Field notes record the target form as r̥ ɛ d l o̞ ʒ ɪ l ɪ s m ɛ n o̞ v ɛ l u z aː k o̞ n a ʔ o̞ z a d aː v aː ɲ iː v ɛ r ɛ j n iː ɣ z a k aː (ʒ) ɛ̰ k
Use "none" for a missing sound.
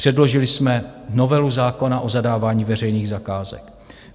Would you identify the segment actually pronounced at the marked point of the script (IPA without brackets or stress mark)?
z